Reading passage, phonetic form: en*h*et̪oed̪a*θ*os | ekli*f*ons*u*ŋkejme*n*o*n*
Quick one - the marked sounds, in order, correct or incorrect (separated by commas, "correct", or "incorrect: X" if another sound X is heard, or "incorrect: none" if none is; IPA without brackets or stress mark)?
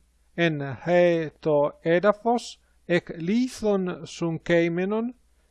correct, incorrect: f, incorrect: θ, correct, correct, correct